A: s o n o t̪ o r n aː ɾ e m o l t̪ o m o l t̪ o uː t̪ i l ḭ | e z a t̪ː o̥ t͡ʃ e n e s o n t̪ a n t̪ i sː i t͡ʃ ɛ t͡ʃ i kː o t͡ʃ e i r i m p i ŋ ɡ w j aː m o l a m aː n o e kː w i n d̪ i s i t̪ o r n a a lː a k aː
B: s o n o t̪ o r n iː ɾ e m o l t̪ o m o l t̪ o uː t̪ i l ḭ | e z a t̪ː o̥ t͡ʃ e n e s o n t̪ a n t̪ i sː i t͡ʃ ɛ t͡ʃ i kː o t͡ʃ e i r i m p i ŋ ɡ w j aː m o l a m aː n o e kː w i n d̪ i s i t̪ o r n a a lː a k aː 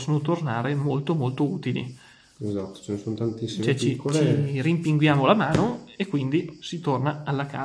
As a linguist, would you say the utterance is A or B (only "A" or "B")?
A